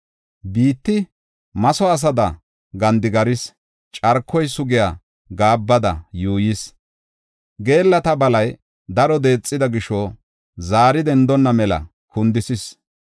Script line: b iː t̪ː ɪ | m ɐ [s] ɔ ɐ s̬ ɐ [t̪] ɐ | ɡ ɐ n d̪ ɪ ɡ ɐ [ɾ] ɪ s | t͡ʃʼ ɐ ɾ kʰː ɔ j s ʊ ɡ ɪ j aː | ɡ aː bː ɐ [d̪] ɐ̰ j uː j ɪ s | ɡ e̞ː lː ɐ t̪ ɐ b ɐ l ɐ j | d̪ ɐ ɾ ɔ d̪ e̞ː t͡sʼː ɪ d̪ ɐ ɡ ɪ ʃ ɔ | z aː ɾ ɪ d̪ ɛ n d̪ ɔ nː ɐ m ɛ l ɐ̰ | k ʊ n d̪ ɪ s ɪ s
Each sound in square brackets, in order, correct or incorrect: correct, incorrect, correct, correct

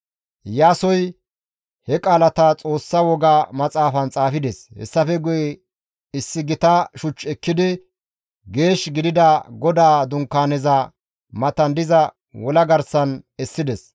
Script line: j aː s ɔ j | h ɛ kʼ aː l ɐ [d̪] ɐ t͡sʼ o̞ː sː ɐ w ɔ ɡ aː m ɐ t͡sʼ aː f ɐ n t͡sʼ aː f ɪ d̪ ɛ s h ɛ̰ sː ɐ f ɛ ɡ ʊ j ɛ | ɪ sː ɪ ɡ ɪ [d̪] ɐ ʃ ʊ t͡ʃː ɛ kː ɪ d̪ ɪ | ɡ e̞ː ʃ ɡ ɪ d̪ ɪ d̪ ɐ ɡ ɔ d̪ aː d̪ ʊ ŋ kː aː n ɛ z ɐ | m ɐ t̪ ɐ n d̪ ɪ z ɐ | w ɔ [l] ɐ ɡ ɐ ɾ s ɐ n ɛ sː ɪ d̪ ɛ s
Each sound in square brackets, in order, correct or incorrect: incorrect, incorrect, correct

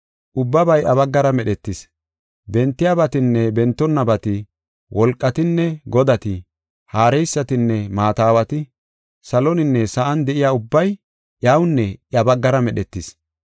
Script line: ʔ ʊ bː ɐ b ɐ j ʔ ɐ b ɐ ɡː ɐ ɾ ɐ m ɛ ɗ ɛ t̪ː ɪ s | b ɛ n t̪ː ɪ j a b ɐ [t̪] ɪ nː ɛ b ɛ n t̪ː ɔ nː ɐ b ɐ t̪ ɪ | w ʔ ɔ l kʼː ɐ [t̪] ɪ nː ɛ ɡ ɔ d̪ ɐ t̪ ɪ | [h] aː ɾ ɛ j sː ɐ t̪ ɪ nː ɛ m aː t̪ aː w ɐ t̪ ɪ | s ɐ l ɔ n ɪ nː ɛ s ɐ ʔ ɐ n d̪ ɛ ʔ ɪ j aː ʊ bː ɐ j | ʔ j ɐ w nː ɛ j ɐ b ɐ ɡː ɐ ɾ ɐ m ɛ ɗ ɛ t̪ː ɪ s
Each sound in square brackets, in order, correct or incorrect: correct, correct, correct

